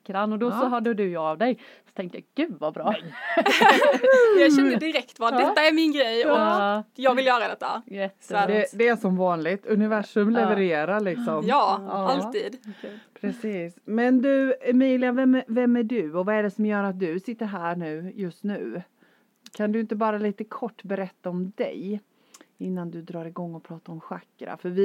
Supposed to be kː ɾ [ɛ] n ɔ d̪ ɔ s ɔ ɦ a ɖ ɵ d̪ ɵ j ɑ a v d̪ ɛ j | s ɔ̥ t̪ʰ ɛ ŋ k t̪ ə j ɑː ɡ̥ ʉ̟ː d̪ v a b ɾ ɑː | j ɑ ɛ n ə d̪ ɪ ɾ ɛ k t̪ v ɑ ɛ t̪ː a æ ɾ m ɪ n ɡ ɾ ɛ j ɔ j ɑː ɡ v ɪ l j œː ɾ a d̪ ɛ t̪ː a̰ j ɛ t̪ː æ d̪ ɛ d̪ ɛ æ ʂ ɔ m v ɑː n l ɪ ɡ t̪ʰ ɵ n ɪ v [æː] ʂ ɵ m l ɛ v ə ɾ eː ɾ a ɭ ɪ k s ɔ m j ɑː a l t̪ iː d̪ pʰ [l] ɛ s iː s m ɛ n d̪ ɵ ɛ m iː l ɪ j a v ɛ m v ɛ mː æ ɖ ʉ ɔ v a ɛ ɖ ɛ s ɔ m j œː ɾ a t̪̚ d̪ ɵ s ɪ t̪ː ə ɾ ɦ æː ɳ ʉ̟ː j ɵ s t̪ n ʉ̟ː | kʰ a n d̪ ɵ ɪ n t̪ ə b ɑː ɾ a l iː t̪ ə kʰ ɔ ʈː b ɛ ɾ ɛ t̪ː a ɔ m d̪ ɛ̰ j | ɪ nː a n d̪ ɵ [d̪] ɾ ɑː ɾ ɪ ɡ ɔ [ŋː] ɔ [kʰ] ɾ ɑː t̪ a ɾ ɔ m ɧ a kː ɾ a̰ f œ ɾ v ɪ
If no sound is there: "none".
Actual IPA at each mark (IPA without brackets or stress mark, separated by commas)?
a, æ, ɾ, d̪, ŋː, pʰ